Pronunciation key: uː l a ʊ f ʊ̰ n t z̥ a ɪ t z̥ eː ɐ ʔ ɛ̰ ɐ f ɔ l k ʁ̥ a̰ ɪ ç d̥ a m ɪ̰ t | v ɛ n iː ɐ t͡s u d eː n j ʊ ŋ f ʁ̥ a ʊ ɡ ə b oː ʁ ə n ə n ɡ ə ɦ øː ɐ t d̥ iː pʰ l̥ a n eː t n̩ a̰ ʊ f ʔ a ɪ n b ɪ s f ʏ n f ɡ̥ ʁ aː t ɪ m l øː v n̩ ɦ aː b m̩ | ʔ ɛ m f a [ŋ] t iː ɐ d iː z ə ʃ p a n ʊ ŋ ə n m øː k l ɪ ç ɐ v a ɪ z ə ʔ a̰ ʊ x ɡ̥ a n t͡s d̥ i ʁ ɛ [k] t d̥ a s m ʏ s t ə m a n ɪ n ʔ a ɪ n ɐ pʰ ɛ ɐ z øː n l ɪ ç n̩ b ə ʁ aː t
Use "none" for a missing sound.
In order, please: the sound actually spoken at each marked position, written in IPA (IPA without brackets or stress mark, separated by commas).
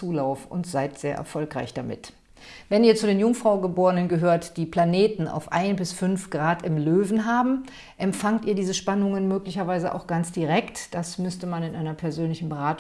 ŋ, k